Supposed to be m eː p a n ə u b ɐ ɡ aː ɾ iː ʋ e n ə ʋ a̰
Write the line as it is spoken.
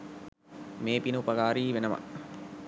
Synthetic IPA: m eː p i n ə u p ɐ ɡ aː ɾ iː ʋ e n ə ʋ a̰